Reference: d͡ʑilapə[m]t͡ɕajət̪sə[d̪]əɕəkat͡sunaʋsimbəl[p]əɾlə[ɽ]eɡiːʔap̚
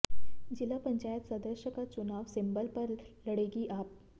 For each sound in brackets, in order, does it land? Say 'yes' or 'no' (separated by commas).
no, yes, yes, yes